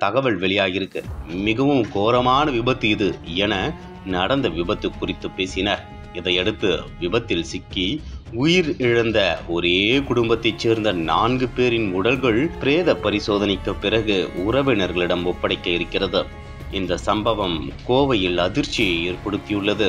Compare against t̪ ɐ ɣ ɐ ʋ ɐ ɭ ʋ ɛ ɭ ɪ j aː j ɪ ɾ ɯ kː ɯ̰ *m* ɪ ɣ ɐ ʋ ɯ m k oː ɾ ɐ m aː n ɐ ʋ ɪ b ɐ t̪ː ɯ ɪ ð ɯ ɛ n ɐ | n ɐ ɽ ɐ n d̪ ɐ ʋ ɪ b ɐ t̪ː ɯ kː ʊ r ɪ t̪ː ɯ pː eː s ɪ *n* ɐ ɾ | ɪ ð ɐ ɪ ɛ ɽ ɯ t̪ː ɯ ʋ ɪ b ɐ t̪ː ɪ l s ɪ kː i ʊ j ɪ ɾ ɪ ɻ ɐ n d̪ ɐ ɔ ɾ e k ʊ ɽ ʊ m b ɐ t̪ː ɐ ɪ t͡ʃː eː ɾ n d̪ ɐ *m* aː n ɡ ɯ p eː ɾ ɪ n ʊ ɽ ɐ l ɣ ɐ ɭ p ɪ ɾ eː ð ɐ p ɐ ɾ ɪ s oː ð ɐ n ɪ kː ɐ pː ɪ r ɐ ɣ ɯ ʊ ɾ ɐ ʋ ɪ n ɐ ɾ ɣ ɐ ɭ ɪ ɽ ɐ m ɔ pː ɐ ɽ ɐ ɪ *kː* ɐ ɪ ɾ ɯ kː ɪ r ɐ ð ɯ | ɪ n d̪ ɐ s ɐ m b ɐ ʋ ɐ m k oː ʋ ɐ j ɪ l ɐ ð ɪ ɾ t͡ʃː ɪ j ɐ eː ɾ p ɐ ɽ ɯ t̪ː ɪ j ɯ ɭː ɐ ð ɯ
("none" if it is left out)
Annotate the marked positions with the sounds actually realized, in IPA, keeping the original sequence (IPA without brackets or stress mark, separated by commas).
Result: m, n, n, kː